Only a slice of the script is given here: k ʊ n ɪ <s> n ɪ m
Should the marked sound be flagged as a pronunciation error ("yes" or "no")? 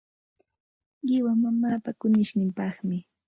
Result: yes